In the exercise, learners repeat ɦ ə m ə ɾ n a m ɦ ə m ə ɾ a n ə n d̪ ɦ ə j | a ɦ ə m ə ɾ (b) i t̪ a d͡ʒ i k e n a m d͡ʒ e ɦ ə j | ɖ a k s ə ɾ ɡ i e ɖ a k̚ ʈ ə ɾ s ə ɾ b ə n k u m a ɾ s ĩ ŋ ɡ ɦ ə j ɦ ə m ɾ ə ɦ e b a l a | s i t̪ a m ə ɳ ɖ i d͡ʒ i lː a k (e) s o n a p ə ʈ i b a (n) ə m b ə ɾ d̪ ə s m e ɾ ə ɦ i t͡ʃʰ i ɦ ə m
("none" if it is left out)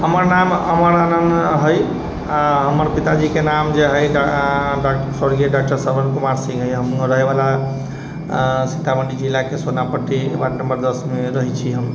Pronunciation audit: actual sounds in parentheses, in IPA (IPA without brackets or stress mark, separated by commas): p, e, n